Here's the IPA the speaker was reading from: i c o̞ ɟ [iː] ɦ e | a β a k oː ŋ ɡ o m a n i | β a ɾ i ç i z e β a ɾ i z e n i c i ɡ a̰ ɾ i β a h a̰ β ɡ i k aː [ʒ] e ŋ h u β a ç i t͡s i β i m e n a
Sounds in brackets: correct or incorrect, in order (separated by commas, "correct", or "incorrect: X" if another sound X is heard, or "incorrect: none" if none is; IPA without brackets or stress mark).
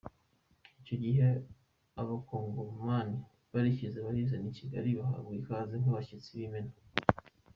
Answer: incorrect: i, incorrect: z